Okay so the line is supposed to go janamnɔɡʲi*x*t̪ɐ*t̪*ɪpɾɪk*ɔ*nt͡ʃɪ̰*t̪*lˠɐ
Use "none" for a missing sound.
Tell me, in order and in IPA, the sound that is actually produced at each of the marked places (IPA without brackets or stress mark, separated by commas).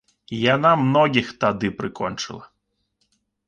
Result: x, d̪, ɔ, none